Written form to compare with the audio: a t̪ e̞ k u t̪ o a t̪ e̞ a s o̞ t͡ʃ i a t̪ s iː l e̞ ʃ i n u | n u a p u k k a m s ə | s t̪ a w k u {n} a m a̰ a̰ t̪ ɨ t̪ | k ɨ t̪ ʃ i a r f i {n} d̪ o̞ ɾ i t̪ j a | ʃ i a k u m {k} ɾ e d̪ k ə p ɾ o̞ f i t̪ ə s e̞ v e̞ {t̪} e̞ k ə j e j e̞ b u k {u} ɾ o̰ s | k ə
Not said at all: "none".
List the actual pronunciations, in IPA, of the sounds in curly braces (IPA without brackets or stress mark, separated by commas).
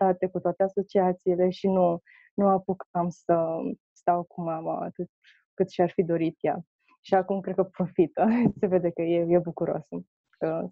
m, none, k, d̪, u